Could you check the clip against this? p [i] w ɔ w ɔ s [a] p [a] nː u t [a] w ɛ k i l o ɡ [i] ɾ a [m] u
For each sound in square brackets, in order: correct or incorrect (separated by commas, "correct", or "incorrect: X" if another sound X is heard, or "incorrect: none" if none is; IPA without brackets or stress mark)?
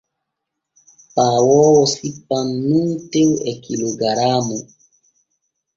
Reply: incorrect: a, incorrect: i, correct, incorrect: e, incorrect: a, correct